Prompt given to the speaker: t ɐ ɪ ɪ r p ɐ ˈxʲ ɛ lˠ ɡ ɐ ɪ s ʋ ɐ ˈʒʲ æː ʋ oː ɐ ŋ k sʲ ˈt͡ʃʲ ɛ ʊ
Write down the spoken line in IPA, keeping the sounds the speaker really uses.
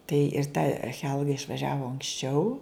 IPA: t ɐ ɪ ɪ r t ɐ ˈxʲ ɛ lˠ ɡ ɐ ɪ ʃ ʋ ɐ ˈʒʲ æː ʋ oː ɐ ŋ k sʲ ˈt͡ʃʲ ɛ ʊ